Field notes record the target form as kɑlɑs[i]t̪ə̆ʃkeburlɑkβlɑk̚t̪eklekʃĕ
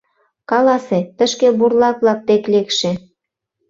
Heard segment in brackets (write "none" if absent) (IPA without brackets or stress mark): e